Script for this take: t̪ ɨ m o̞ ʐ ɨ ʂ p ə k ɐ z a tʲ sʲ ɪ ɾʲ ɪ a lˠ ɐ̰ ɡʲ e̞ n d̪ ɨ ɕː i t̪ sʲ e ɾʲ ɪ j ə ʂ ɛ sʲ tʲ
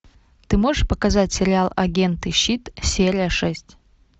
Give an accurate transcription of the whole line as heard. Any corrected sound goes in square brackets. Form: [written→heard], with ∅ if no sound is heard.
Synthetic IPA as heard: t̪ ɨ m o̞ ʐ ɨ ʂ p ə k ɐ z a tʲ sʲ ɪ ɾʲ ɪ a lˠ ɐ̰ ɡʲ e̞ n [d̪→t̪] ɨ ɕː i t̪ sʲ e ɾʲ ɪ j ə ʂ ɛ sʲ tʲ